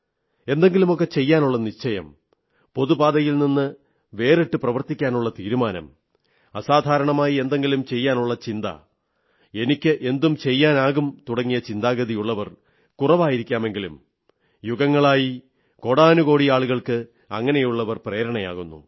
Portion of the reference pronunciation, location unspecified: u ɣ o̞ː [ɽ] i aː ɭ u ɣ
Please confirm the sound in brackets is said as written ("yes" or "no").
yes